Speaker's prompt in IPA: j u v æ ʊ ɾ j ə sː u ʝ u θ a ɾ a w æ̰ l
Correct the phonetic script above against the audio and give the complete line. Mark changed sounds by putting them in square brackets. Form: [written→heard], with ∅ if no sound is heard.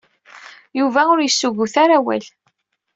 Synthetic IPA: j u v æ ʊ ɾ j ə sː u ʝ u θ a ɾ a w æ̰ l